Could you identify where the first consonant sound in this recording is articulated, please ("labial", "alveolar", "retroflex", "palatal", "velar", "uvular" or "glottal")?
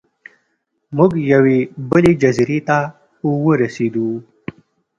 labial